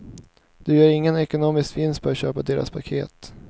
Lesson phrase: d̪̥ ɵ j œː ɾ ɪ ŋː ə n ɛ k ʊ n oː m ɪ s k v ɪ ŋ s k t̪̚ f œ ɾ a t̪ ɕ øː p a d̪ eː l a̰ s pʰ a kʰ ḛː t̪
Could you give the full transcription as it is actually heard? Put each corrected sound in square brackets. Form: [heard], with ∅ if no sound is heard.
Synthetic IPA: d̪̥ ɵ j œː ɾ ɪ ŋː ə n ɛ k ʊ n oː m ɪ s k v ɪ [n] s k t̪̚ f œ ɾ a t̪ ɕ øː p a d̪ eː [ɾ] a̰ s pʰ a kʰ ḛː t̪